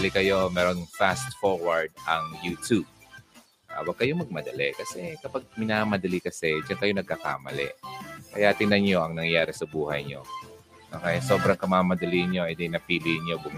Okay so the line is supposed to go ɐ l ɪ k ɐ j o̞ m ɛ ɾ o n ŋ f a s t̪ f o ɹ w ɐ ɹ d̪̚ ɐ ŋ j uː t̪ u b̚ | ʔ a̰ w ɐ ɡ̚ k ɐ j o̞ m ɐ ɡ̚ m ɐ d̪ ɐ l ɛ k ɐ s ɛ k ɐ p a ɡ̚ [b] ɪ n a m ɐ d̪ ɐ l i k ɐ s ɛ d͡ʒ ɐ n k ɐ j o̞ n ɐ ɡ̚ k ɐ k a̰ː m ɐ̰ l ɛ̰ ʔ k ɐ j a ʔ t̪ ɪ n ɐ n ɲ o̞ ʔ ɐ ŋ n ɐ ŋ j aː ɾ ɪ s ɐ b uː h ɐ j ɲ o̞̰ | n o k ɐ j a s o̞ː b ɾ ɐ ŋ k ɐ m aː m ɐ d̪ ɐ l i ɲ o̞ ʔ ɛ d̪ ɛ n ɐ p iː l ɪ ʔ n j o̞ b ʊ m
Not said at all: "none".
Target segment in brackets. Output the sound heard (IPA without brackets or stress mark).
m